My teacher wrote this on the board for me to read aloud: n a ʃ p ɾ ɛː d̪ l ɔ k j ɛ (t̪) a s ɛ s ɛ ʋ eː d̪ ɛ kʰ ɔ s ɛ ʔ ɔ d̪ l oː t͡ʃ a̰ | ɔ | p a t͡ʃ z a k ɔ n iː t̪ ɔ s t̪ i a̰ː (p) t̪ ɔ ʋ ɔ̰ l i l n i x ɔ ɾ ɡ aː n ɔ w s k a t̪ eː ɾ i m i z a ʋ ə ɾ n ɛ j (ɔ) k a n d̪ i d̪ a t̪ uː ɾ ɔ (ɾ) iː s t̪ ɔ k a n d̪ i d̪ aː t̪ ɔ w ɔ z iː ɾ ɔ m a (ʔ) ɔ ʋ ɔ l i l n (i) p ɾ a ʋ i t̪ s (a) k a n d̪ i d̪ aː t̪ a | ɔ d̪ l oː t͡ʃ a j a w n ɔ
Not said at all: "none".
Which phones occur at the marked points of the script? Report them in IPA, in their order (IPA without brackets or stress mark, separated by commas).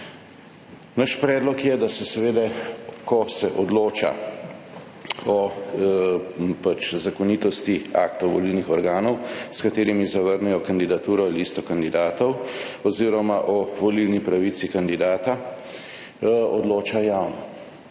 d̪, k, ɔ, l, ʔ, i, i